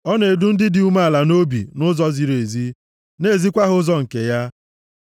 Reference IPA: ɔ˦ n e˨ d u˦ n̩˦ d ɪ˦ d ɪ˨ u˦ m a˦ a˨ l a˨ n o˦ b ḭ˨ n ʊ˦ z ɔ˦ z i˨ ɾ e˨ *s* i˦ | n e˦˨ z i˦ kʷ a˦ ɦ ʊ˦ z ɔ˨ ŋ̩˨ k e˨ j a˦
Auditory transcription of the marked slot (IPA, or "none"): z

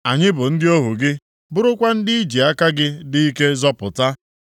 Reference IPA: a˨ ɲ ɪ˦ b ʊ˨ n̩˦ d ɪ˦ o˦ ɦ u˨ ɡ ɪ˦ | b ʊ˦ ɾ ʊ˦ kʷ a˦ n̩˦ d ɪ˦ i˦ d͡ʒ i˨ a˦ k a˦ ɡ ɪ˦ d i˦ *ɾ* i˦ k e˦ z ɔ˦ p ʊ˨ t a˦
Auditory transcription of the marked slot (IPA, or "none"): none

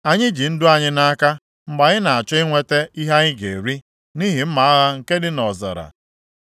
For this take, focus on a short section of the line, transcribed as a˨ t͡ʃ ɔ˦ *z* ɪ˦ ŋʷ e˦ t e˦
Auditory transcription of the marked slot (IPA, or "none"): none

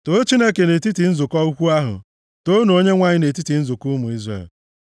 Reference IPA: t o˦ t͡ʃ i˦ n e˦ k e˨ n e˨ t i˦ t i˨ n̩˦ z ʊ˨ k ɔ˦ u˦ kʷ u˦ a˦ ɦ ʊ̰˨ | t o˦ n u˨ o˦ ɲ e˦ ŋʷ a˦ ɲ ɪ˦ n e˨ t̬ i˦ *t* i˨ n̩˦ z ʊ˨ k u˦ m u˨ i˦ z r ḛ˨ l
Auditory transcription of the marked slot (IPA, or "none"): t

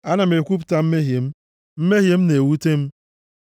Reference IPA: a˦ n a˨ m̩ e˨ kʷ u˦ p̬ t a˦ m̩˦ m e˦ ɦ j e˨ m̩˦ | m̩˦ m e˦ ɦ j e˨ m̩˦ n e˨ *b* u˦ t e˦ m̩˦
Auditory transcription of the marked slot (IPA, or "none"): w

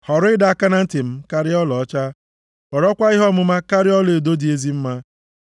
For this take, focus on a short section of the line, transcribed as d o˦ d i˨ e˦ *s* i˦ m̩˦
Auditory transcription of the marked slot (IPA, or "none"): z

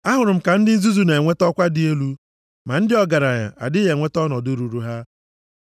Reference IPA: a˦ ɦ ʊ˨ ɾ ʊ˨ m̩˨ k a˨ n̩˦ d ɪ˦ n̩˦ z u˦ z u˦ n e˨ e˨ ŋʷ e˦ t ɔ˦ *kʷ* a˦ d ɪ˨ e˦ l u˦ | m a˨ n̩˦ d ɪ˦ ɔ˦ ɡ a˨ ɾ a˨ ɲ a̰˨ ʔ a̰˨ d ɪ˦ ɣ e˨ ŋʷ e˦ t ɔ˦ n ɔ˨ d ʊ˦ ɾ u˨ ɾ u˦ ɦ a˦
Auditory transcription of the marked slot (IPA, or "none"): kʷ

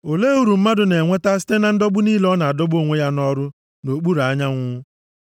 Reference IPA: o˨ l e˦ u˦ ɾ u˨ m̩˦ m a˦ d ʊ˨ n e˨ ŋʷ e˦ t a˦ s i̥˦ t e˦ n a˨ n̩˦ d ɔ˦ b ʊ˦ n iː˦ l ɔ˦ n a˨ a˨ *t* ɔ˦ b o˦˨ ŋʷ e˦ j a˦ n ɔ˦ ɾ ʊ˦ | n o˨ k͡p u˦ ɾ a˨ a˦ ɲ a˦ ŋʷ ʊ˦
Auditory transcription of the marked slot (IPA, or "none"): d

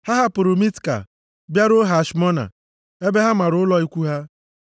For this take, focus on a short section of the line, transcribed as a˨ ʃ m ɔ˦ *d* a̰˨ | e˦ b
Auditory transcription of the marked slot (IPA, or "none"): n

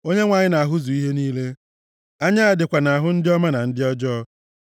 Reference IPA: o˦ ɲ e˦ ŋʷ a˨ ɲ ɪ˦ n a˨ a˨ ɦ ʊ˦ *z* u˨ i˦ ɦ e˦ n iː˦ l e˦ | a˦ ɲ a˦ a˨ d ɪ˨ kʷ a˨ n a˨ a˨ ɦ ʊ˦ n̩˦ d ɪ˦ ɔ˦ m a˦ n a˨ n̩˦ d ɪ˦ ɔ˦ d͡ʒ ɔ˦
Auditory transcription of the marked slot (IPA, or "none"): z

